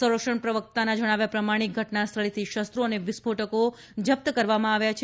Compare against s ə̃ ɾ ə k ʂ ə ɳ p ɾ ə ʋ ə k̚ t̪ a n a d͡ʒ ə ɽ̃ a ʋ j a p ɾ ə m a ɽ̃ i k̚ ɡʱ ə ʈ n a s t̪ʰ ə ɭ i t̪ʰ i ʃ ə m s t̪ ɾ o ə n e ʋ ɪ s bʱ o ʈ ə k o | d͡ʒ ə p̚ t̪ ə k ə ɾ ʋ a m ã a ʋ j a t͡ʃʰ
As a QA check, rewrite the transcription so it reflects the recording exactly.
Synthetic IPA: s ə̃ ɾ ə k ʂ ə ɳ p ɾ ə ʋ ə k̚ t̪ a n a d͡ʒ ə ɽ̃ a ʋ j a p ɾ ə m a ɽ̃ i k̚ ɡʱ ə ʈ n a s t̪ʰ ə ɭ i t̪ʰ i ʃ ə s t̪ ɾ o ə n e ʋ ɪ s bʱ o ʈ ə k o | d͡ʒ ə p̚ t̪ ə k ə ɾ ʋ a m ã a ʋ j a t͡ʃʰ